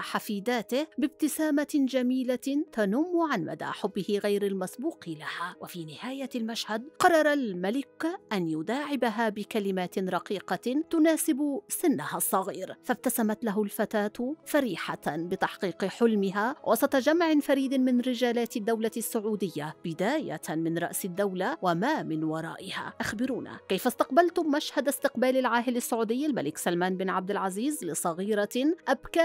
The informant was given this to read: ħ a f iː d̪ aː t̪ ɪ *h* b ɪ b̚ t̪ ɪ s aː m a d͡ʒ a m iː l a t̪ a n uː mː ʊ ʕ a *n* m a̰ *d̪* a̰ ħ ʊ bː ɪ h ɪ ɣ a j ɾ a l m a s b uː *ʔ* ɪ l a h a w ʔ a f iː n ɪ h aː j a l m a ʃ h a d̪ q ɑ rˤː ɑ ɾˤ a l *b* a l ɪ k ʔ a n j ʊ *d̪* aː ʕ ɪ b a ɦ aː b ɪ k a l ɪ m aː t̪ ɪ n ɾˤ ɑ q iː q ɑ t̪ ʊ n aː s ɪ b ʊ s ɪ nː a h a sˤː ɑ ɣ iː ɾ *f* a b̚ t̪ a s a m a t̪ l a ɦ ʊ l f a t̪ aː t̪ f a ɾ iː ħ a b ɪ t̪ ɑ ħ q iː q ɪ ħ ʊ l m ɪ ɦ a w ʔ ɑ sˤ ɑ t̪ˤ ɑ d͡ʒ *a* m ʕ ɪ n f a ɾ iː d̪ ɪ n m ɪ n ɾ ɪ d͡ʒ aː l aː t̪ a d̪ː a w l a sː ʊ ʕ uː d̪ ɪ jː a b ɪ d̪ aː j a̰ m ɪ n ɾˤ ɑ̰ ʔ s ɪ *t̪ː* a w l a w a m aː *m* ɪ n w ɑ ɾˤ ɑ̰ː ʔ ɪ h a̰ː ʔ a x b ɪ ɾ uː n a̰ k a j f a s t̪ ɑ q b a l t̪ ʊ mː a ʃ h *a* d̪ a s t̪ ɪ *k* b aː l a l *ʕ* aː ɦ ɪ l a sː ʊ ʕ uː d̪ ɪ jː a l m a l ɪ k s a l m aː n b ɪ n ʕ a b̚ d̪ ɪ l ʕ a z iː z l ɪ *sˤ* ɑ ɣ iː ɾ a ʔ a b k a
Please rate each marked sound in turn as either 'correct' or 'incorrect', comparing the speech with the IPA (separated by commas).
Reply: correct, correct, correct, incorrect, incorrect, correct, correct, correct, incorrect, correct, correct, incorrect, correct, correct